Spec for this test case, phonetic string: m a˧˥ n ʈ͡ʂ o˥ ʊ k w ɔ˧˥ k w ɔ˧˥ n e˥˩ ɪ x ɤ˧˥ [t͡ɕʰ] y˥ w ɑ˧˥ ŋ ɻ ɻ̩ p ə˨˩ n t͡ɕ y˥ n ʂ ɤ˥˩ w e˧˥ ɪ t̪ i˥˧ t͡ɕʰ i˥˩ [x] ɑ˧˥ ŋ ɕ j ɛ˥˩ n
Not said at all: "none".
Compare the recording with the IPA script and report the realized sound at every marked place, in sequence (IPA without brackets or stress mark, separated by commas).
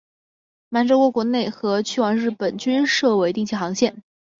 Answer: t͡ɕʰ, x